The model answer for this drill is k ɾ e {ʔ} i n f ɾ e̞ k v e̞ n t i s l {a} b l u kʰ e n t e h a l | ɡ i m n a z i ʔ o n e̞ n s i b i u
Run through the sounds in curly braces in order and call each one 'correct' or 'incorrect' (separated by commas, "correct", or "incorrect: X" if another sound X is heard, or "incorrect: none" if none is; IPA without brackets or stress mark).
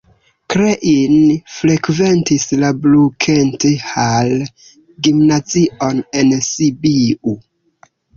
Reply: correct, correct